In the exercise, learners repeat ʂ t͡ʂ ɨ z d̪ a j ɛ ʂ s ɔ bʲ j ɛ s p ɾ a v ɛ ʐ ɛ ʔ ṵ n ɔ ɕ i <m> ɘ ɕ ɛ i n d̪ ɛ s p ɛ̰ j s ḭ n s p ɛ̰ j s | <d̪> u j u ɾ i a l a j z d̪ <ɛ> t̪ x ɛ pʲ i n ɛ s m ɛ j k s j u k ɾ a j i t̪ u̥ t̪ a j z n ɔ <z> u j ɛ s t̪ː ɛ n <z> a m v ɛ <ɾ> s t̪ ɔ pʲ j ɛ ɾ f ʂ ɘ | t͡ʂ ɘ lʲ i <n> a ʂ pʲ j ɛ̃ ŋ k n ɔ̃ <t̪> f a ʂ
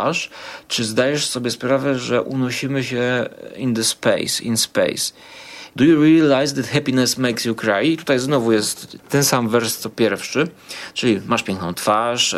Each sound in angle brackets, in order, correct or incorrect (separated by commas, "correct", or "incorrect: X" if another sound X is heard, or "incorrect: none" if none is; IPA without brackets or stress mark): correct, correct, correct, incorrect: v, incorrect: s, correct, incorrect: m, correct